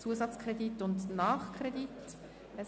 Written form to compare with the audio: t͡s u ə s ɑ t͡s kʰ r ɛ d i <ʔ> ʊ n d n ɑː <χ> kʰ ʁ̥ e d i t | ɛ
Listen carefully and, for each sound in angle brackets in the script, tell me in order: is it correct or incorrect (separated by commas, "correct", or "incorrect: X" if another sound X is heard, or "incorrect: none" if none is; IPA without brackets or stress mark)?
incorrect: t, correct